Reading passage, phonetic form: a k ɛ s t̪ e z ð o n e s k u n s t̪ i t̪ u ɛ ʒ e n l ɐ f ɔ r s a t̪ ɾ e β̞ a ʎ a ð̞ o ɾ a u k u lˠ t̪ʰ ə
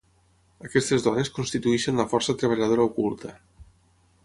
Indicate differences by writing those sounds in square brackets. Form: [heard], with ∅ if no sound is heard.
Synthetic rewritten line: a k ɛ s t̪ e z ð [ɔ] n e s k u n s t̪ i t̪ u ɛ [ʃ] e n l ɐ f ɔ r s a t̪ ɾ e β̞ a ʎ a ð̞ o ɾ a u k u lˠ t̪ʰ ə